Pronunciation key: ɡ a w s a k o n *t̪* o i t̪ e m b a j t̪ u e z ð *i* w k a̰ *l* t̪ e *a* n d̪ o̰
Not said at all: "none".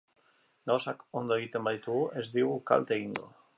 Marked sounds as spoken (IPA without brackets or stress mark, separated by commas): d̪, i, l, i